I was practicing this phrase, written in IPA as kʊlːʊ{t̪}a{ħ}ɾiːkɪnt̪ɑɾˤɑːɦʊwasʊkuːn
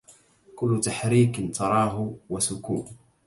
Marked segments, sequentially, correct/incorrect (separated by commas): correct, correct